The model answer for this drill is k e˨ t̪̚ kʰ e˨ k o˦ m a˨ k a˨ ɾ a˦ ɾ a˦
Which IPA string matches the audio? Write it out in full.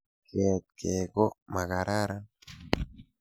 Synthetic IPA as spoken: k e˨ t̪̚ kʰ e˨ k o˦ m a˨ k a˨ ɾ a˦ ɾ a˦